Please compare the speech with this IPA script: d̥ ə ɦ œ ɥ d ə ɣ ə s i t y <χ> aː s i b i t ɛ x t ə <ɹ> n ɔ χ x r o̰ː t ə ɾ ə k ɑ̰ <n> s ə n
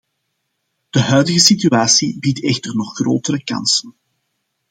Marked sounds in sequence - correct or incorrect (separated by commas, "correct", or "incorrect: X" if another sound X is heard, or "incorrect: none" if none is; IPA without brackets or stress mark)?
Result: incorrect: none, incorrect: r, correct